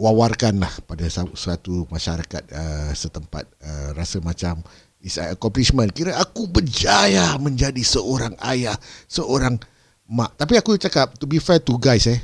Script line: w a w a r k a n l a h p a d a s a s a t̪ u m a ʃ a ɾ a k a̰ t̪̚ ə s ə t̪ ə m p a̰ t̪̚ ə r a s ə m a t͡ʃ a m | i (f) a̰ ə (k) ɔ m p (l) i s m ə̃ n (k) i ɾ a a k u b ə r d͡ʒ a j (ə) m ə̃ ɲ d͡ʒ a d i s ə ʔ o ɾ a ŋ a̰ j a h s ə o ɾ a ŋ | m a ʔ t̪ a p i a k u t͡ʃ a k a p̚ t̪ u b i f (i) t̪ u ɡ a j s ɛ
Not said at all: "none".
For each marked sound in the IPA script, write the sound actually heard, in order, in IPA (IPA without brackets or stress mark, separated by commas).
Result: s, k, l, k, a, ɛ